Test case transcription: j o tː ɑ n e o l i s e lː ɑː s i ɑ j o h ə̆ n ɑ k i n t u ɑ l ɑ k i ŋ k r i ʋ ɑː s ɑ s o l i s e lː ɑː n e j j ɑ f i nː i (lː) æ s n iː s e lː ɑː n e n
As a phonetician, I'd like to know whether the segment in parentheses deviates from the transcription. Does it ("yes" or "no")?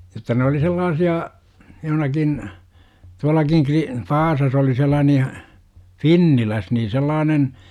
yes